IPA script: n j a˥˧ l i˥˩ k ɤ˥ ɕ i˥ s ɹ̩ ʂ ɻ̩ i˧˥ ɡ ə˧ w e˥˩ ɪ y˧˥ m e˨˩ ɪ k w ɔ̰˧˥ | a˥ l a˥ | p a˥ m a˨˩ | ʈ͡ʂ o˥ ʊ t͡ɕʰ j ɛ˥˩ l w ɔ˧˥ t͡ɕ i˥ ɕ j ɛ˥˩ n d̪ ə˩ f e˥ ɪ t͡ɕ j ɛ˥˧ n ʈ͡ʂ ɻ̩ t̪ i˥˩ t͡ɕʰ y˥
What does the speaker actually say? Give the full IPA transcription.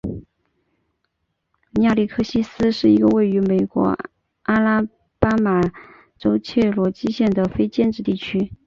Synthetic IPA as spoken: n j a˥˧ l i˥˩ kʰ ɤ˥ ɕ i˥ s ɹ̩ ʂ ɻ̩ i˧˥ ɡ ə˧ w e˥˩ ɪ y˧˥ m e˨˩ ɪ k w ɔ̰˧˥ | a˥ l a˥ | p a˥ m a˨˩ | ʈ͡ʂ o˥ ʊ t͡ɕʰ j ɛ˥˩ l w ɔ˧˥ t͡ɕ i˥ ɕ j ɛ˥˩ n d̪ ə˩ f e˥ ɪ t͡ɕ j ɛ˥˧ n ʈ͡ʂ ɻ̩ t̪ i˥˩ t͡ɕʰ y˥

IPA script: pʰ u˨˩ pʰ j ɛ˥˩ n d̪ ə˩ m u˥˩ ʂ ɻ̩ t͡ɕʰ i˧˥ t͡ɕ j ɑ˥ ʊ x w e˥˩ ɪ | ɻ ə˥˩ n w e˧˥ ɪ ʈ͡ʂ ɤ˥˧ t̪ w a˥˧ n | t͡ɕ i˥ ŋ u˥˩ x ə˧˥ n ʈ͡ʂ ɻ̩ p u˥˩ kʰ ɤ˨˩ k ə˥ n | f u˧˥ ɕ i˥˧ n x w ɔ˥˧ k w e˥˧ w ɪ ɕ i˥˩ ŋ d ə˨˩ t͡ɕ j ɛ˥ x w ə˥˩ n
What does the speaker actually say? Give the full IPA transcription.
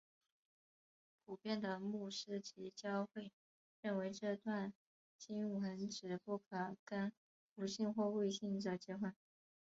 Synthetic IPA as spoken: pʰ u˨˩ p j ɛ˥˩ n d̪ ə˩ m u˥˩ ʂ ɻ̩ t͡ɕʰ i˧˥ t͡ɕ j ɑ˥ ʊ x w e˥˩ ɪ | ɻ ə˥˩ n w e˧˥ ɪ ʈ͡ʂ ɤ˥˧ t̪ w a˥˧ n | t͡ɕ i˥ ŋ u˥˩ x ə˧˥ n ʈ͡ʂ ɻ̩ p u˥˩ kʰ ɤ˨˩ k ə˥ n | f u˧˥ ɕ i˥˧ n x w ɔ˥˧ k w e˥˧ ɪ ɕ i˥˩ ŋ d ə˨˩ t͡ɕ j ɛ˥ x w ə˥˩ n

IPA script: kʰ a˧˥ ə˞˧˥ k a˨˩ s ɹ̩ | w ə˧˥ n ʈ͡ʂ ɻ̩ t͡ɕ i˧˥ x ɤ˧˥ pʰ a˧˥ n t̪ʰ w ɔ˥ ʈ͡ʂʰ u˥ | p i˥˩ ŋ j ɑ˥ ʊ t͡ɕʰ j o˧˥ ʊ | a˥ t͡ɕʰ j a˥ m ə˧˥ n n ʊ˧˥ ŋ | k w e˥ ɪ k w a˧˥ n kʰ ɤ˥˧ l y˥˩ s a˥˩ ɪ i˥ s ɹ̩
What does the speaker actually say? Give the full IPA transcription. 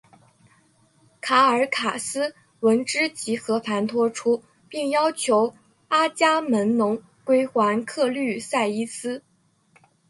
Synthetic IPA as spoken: kʰ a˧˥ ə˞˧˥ kʰ a˨˩ s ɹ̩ | w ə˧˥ n ʈ͡ʂ ɻ̩ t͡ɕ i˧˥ x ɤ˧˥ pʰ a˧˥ n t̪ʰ w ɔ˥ ʈ͡ʂʰ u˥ | p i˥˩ ŋ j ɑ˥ ʊ t͡ɕʰ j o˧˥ ʊ | a˥ t͡ɕ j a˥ m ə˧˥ n n ʊ˧˥ ŋ | k w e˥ ɪ x w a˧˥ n kʰ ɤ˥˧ l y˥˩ s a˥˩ ɪ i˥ s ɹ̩

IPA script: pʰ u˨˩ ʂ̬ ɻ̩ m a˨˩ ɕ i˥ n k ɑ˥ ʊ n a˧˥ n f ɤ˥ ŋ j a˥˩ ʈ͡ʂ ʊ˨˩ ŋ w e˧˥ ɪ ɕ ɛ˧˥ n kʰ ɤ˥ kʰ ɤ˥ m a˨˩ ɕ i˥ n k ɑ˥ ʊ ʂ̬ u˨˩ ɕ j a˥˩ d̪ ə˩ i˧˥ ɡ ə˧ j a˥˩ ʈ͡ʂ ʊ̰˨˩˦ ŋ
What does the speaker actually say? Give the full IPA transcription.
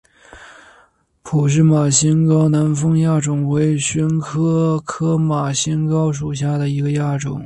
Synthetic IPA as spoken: pʰ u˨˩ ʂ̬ ɻ̩ m a˨˩ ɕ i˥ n k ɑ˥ ʊ n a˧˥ n f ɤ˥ ŋ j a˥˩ ʈ͡ʂ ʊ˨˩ ŋ w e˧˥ ɪ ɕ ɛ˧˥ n kʰ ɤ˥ kʰ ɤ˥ m a˨˩ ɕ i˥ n k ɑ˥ ʊ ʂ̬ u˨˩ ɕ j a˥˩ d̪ ə˩ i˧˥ ɡ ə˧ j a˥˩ ʈ͡ʂ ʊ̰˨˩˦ ŋ

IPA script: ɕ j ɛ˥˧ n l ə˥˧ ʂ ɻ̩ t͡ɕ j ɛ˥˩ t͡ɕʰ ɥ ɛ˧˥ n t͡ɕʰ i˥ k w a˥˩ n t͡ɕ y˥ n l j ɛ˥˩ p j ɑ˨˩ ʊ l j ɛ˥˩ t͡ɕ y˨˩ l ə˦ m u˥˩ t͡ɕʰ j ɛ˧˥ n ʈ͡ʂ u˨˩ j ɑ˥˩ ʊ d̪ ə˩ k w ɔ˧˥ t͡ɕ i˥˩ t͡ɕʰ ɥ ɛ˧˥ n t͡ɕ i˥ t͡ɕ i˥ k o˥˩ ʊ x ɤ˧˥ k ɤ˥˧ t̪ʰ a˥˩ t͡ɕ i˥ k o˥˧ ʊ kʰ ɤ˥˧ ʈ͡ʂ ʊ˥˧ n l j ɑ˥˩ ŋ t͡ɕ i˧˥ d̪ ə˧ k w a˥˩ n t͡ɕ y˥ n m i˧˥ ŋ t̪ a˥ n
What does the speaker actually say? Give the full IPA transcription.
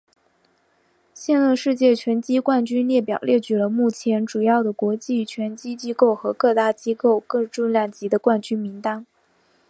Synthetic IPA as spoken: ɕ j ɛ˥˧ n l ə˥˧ ʂ ɻ̩ t͡ɕ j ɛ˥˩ t͡ɕʰ ɥ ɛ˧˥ n t͡ɕ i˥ k w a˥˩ n t͡ɕ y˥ n l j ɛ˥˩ p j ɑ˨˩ ʊ l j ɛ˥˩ t͡ɕ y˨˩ l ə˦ m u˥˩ t͡ɕʰ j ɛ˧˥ n ʈ͡ʂ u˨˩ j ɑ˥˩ ʊ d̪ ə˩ k w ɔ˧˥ t͡ɕ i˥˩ t͡ɕʰ ɥ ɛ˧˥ n t͡ɕ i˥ t͡ɕ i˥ k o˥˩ ʊ x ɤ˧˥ k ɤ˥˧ t̪ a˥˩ t͡ɕ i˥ k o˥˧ ʊ k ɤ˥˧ ʈ͡ʂ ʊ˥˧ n l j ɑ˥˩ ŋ t͡ɕ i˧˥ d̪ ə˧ k w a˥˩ n t͡ɕ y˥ n m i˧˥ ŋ t̪ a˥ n

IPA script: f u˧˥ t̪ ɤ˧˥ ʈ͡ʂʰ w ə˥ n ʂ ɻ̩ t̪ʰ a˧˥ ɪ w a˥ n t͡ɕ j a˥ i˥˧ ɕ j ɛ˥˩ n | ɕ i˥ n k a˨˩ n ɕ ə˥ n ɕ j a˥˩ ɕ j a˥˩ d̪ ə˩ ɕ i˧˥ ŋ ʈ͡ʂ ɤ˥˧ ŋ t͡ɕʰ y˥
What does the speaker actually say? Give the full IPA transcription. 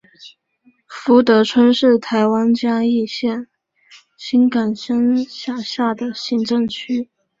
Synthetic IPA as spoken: f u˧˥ t̪ ɤ˧˥ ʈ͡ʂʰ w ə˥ n ʂ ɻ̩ t̪ʰ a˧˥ ɪ w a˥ n t͡ɕ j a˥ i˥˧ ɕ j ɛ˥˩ n | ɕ i˥ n k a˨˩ n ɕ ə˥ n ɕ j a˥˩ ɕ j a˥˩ d̪ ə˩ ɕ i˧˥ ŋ ʈ͡ʂ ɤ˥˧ ŋ t͡ɕʰ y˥

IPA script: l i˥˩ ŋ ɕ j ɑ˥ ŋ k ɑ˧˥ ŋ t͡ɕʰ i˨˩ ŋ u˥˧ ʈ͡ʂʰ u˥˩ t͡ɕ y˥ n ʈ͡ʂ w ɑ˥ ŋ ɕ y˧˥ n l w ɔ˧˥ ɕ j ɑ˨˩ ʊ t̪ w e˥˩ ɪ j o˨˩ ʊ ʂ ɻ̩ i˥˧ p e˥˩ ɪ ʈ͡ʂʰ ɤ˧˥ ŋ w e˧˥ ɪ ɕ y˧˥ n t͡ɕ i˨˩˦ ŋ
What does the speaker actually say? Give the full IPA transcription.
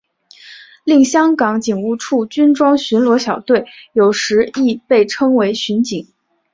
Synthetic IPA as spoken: l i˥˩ ŋ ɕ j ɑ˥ ŋ k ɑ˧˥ ŋ t͡ɕ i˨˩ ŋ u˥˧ ʈ͡ʂʰ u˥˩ t͡ɕ y˥ n ʈ͡ʂ w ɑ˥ ŋ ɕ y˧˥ n l w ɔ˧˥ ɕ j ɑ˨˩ ʊ t̪ w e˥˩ ɪ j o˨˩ ʊ ʂ ɻ̩ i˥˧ p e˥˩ ɪ ʈ͡ʂʰ ɤ˥ ŋ w e˧˥ ɪ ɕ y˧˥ n t͡ɕ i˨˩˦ ŋ

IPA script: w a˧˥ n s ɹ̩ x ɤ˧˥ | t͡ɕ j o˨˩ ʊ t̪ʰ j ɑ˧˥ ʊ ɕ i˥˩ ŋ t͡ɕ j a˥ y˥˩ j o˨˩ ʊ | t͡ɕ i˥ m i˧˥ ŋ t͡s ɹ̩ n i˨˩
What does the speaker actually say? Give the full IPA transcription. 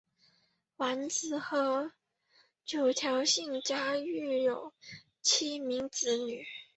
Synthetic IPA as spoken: w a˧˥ n t͡s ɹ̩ x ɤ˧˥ | t͡ɕ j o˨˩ ʊ t̪ʰ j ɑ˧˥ ʊ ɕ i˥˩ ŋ t͡ɕ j a˥ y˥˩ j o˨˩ ʊ | t͡ɕʰ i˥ m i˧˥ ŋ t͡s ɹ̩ n y˨˩

